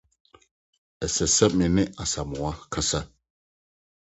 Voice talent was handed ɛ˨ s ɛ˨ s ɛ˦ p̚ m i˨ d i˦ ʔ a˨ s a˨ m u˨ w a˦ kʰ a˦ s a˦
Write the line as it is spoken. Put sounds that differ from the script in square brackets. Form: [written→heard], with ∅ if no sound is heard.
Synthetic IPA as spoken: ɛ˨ s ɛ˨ s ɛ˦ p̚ m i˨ [d→n] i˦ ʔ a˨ s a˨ m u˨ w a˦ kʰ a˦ s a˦

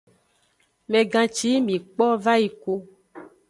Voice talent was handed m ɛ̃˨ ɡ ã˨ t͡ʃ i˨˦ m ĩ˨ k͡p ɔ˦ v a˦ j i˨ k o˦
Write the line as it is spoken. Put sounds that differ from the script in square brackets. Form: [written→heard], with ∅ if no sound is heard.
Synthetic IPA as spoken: m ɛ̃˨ ɡ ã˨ t͡ʃ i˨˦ m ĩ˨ k͡p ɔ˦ v a˦ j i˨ k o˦

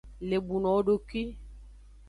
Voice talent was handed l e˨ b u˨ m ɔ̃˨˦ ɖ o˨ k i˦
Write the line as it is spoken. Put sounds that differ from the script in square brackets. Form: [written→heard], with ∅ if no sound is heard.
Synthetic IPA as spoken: l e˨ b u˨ [m→n] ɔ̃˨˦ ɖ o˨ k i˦

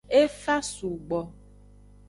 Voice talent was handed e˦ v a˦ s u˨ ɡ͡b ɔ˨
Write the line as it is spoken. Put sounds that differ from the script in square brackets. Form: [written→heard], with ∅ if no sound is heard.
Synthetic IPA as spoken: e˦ [v→f] a˦ s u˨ ɡ͡b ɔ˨

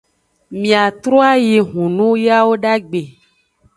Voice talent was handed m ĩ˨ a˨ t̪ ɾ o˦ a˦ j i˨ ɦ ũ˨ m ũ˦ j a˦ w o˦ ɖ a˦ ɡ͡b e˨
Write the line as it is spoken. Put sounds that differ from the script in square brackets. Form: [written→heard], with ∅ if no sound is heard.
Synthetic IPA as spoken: m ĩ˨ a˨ t̪ ɾ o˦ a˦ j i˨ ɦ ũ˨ [m→n] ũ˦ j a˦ w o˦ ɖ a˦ ɡ͡b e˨

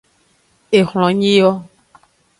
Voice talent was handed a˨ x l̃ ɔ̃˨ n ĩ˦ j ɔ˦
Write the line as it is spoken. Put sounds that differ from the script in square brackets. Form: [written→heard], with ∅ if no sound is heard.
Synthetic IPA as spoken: [a˨→e˨] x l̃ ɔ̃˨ [n→ɲ] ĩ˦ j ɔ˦

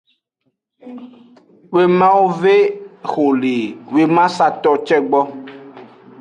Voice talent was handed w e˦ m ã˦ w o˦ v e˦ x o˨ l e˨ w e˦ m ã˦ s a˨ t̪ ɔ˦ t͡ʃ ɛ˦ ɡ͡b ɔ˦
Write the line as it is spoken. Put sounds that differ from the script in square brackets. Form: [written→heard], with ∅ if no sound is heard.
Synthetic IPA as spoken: w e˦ m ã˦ w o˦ v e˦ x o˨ l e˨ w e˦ m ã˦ s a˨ t̪ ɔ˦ t͡ʃ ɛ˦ ɡ͡b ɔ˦

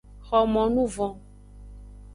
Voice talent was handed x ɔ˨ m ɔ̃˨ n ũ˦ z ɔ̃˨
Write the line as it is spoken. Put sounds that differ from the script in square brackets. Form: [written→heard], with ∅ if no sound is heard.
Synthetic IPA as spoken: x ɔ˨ m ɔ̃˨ n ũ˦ [z→v] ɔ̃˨

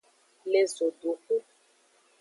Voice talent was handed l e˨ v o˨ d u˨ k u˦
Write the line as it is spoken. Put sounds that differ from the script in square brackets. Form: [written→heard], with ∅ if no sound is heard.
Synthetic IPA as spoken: l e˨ [v→z] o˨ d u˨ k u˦

